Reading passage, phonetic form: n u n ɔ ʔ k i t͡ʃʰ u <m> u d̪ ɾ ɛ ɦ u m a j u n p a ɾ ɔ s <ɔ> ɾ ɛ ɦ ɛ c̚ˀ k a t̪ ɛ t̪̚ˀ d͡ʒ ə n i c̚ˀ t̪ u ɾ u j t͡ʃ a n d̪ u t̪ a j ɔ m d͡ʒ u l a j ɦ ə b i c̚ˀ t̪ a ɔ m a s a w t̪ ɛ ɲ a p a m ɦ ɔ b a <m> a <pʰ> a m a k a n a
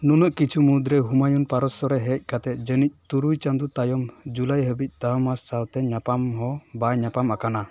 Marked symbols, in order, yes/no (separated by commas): yes, yes, no, no